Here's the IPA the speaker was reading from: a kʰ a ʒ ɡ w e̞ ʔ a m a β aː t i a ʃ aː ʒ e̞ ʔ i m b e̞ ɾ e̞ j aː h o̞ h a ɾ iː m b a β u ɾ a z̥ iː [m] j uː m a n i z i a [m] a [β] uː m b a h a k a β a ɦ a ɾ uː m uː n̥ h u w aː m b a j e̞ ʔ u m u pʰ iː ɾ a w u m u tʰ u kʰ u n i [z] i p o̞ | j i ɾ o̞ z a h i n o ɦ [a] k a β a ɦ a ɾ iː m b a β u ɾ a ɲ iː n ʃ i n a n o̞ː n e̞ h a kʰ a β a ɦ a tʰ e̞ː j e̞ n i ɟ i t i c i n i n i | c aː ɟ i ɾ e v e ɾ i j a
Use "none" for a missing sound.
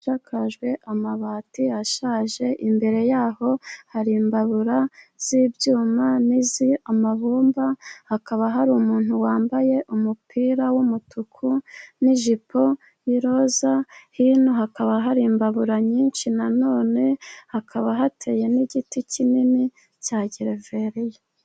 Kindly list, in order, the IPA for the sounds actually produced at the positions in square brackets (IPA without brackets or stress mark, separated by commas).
b, m, β, ʒ, a